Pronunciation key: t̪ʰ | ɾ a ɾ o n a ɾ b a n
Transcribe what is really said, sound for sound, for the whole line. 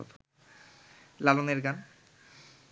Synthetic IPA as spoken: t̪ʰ | l a l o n e ɾ ɡ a n